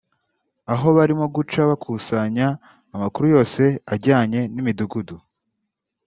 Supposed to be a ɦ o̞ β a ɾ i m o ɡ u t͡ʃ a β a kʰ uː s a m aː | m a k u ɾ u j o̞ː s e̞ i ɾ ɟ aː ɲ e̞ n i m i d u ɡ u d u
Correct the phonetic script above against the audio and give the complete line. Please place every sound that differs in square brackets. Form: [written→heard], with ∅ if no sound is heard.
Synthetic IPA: a ɦ o̞ β a ɾ i m o ɡ u t͡ʃ a β a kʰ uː s a [m→ɲ] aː | m a k u ɾ u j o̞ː s e̞ [i→a] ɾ ɟ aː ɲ e̞ n i m i d u ɡ u d u